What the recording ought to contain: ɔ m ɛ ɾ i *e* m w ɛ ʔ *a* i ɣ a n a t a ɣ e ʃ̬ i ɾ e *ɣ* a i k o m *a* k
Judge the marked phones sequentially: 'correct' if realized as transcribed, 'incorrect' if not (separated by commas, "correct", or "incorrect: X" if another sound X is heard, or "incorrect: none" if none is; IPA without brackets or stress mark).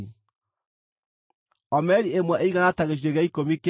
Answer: correct, incorrect: e, correct, incorrect: i